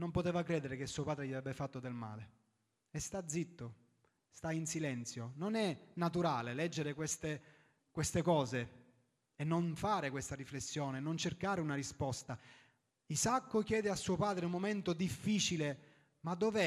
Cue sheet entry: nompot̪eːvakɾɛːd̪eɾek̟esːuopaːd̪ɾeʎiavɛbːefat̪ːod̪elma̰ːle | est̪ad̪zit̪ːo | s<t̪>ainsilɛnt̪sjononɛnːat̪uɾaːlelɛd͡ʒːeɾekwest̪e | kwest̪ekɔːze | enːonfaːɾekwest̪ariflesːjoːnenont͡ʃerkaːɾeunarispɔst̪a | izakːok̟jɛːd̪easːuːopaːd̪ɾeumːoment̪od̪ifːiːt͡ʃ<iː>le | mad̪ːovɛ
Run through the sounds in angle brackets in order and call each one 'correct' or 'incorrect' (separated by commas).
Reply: correct, incorrect